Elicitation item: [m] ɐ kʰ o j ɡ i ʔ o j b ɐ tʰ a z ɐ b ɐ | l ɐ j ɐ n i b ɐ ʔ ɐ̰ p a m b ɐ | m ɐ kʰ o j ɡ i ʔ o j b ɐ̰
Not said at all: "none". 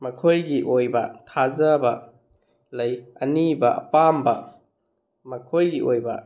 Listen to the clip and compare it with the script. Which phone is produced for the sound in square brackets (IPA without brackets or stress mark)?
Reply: m